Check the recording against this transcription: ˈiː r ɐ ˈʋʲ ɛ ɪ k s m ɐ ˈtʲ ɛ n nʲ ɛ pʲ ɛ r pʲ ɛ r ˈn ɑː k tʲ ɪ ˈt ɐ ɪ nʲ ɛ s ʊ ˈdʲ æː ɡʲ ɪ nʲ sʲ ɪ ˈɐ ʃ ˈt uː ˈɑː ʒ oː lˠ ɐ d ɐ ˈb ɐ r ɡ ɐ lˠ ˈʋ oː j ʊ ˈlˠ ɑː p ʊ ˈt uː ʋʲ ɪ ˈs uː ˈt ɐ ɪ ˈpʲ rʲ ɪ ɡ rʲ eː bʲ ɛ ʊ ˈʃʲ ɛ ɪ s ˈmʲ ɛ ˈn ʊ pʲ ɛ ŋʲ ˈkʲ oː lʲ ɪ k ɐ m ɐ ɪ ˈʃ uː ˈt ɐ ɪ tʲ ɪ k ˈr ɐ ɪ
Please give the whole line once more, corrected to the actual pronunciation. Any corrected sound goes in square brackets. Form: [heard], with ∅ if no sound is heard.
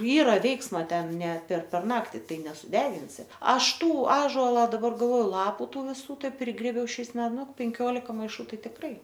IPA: ˈiː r ɐ ˈʋʲ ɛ ɪ k s m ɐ ˈtʲ ɛ n nʲ ɛ pʲ ɛ r pʲ ɛ r ˈn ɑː k tʲ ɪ ˈt ɐ ɪ nʲ ɛ s ʊ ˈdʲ æː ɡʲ ɪ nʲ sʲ ɪ ˈɐ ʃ ˈt uː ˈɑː ʒ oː lˠ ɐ d ɐ ˈb ɐ r ɡ ɐ lˠ ˈʋ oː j ʊ ˈlˠ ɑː p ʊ ˈt uː ʋʲ ɪ ˈs uː ˈt ɐ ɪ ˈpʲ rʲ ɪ ɡ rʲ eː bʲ ɛ ʊ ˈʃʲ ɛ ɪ s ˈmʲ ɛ ˈn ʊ pʲ ɛ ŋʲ ˈkʲ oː lʲ ɪ k ɐ m ɐ ɪ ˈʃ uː ˈt ɐ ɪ tʲ ɪ k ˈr ɐ ɪ